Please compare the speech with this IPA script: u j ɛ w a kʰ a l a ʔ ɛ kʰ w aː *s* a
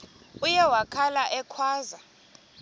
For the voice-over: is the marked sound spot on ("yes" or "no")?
no